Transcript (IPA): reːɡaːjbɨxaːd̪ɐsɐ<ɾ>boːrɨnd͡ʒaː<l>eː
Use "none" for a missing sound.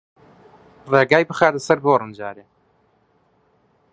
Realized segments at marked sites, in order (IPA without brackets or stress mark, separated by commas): ɾ, ɾ